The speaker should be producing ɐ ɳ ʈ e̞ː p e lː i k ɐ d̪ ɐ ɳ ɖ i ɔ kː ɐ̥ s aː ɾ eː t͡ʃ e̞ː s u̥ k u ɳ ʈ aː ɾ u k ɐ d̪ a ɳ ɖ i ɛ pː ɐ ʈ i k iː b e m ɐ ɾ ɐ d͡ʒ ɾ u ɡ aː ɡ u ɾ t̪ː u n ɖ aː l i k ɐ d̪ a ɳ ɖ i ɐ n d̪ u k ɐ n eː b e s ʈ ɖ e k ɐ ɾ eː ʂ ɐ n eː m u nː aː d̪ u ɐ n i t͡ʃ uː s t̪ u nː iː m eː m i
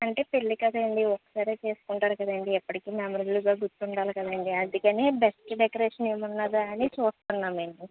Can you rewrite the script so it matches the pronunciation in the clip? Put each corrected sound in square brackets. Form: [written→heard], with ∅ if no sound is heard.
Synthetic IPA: ɐ ɳ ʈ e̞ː p e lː i k ɐ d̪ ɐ ɳ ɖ i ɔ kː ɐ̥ s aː ɾ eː t͡ʃ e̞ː s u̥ k u ɳ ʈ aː ɾ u k ɐ d̪ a ɳ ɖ i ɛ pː ɐ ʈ i k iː [b→m] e m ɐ ɾ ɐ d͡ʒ [ɾ→l] u ɡ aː ɡ u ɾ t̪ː u [n→ɳ] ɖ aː l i k ɐ d̪ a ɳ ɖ i ɐ n d̪ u k ɐ n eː b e s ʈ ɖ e k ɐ ɾ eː ʂ ɐ n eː m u nː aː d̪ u ɐ n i t͡ʃ uː s t̪ u nː [iː→aː] m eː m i